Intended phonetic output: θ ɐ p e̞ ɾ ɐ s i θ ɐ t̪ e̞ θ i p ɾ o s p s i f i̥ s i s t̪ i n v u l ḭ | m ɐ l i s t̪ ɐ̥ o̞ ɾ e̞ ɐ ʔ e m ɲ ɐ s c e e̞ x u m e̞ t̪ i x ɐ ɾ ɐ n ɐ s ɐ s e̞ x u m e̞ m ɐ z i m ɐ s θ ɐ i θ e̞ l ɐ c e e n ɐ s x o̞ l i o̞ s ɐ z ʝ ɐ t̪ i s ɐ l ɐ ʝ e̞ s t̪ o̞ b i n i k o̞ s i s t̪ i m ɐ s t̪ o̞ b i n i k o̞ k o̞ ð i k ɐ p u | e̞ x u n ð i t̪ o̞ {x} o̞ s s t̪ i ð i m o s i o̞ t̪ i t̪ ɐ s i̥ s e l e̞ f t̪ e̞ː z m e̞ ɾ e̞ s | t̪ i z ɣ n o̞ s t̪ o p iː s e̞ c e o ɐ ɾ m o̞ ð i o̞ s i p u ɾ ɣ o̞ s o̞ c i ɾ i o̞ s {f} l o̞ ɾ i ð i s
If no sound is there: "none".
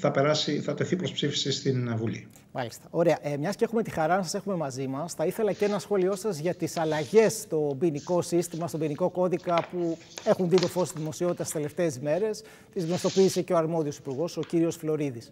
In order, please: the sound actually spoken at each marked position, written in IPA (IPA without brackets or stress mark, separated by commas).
f, f